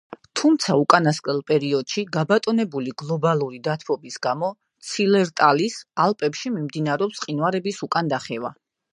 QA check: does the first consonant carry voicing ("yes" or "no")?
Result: no